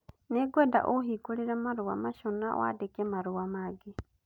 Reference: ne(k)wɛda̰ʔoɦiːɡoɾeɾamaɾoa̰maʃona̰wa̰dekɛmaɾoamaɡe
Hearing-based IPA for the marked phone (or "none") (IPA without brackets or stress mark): ɡ